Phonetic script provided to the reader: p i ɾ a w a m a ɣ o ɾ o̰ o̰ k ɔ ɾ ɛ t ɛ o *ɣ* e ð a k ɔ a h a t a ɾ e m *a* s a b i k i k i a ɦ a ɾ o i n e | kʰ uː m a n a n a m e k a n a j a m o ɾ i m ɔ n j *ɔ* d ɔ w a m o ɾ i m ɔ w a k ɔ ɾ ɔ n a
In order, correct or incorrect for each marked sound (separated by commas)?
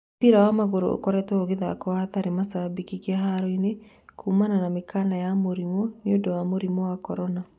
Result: correct, correct, incorrect